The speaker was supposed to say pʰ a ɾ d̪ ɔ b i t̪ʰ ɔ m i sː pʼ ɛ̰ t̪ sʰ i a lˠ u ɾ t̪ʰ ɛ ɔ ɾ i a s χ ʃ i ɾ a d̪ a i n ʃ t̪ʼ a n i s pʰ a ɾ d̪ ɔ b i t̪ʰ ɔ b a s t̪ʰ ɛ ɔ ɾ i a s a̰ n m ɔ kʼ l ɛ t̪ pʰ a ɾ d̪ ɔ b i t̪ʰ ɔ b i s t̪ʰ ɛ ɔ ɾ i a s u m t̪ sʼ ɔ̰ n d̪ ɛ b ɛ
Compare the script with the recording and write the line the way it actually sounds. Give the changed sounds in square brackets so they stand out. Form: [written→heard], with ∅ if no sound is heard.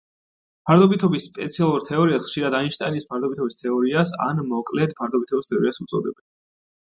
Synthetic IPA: pʰ a ɾ d̪ ɔ b i t̪ʰ ɔ [m→b] i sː pʼ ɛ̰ t̪ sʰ i a lˠ u ɾ t̪ʰ ɛ ɔ ɾ i a s χ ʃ i ɾ a d̪ a i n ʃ t̪ʼ a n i s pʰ a ɾ d̪ ɔ b i t̪ʰ ɔ b [a→i] s t̪ʰ ɛ ɔ ɾ i a s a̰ n m ɔ kʼ l ɛ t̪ pʰ a ɾ d̪ ɔ b i t̪ʰ ɔ b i s t̪ʰ ɛ ɔ ɾ i a s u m t̪ sʼ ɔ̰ [n→∅] d̪ ɛ b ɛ